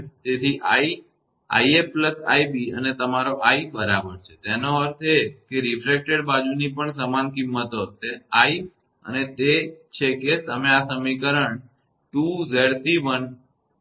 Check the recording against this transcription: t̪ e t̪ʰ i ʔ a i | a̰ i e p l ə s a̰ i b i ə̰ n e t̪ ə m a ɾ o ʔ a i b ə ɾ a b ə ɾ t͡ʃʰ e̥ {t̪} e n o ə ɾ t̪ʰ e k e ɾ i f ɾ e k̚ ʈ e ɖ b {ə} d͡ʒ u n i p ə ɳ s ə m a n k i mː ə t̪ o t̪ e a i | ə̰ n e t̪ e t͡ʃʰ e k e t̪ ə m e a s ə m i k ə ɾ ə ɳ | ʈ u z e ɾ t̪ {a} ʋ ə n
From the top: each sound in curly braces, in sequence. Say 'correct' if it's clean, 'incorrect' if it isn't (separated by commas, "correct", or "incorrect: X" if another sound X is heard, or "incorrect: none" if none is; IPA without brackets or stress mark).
correct, incorrect: a, incorrect: i